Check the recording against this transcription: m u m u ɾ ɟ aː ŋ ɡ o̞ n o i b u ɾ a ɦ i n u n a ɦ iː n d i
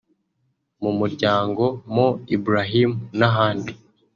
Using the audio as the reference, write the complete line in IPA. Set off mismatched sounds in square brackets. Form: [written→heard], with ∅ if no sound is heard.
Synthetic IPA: m u m u ɾ ɟ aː ŋ ɡ o̞ [n→m] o i b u ɾ a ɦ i [n→m] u n a ɦ [iː→aː] n d i